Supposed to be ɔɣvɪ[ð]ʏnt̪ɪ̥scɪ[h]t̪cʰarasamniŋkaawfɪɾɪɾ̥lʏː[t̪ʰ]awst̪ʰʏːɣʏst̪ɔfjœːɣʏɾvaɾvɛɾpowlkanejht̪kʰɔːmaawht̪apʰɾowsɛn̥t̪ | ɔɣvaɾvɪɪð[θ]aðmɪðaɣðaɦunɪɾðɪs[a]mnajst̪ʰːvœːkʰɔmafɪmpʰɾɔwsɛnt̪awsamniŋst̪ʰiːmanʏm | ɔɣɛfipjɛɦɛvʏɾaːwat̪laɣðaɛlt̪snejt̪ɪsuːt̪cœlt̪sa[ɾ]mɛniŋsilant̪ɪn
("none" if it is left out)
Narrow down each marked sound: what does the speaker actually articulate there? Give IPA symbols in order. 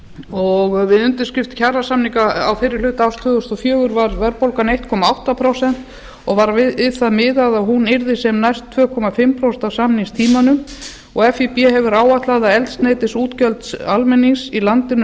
ð, f, t̪, θ, ɛ, l

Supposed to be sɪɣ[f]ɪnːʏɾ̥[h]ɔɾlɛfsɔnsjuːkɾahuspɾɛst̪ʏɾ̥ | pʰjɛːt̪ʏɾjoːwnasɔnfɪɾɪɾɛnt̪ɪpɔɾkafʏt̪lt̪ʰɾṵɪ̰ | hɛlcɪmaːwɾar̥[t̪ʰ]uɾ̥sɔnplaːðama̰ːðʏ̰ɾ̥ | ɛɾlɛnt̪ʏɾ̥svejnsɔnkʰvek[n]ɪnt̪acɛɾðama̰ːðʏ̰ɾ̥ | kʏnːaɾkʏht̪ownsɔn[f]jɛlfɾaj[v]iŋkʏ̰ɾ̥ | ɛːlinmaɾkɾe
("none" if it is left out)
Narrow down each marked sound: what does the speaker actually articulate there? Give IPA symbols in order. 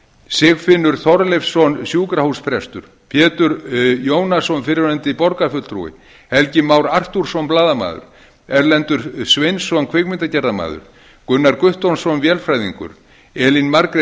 f, θ, t̪, m, v, ð

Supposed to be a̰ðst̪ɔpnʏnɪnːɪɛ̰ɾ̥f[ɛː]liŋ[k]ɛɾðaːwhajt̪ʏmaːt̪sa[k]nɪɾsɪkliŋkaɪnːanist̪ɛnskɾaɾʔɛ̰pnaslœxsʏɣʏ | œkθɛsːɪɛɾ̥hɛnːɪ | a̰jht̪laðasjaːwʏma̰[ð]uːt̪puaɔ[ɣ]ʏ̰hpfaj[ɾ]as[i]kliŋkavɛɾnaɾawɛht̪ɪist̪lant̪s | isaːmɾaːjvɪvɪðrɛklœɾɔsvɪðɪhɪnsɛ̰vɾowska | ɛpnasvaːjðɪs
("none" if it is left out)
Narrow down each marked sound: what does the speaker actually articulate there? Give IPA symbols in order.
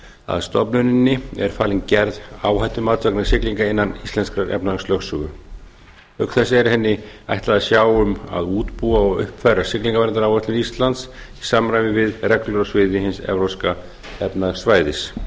aː, c, k, ð, ɣ, ɾ, ɪ

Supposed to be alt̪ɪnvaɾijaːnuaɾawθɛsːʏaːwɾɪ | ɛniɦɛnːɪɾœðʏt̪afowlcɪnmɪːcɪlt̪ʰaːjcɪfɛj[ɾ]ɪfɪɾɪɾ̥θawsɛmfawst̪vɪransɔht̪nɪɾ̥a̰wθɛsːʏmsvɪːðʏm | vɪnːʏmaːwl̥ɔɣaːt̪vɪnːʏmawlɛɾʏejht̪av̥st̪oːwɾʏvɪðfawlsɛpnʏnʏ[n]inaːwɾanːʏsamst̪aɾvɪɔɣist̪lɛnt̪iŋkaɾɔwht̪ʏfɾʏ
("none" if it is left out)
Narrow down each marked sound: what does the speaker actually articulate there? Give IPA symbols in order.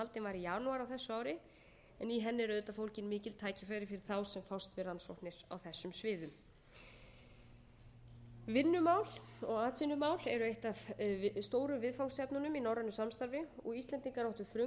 ɾ, m

